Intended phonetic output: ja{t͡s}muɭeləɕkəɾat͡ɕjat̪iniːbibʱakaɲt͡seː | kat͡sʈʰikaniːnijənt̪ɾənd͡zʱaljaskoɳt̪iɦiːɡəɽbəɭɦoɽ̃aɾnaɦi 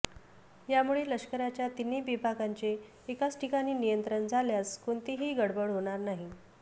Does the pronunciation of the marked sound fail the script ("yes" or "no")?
yes